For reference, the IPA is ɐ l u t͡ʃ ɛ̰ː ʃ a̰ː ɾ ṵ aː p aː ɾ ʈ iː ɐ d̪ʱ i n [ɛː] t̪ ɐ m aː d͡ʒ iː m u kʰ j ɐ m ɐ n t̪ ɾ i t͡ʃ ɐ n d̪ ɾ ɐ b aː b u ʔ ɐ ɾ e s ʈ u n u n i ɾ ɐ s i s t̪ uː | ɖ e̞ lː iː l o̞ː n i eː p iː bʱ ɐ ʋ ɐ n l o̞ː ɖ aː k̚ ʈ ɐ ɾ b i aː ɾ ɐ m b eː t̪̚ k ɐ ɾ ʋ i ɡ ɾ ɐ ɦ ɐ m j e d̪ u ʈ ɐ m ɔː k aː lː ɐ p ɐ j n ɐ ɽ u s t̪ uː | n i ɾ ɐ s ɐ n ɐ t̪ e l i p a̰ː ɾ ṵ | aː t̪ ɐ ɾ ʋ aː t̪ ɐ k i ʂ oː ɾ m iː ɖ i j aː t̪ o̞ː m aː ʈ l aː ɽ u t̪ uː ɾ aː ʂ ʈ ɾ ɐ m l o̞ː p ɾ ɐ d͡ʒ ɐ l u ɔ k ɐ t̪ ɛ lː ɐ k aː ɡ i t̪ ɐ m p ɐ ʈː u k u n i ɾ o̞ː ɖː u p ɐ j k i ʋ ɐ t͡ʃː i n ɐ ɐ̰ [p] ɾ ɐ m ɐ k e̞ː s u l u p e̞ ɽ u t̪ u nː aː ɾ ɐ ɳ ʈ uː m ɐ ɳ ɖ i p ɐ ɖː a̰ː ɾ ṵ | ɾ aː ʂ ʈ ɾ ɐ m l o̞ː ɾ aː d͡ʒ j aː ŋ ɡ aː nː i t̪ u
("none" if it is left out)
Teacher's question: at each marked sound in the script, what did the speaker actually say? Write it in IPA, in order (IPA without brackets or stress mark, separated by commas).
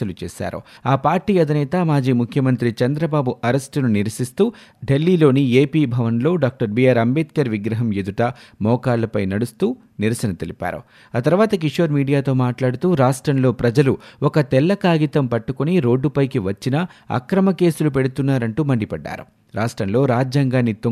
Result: ɛː, k